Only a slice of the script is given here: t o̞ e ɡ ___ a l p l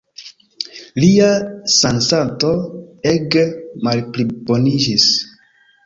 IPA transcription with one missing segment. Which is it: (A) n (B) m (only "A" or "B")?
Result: B